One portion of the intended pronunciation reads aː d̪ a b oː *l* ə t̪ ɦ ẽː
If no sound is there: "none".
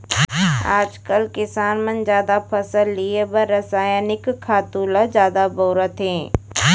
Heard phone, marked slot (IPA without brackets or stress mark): ɾ